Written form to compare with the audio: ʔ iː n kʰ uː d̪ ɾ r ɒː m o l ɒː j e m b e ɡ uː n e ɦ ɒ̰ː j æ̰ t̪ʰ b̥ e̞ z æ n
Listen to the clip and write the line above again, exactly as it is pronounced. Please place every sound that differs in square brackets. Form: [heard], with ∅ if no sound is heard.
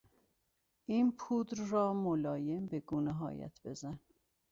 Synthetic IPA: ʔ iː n [pʰ] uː d̪ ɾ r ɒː m o l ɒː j e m b e ɡ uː n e ɦ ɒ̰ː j æ̰ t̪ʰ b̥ e̞ z æ n